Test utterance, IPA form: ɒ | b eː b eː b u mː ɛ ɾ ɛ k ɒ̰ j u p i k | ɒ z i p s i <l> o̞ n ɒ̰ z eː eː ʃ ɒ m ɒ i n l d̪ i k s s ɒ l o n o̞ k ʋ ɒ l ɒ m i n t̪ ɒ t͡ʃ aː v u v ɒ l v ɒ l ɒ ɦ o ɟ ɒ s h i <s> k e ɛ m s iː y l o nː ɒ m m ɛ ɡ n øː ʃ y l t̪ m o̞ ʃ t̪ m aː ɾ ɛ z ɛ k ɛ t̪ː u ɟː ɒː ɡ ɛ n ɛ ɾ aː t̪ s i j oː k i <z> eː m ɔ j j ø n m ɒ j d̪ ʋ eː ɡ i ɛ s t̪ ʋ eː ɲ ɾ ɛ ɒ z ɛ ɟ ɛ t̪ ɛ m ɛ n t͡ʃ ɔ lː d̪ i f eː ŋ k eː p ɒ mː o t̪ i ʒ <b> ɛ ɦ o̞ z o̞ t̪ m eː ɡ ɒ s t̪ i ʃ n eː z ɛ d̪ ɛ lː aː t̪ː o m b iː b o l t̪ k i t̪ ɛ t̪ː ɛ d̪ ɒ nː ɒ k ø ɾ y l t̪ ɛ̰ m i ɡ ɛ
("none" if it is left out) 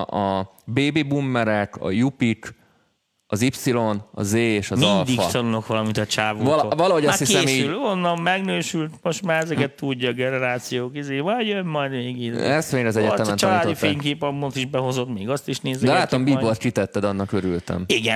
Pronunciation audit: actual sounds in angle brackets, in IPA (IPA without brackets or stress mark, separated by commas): l, s, z, b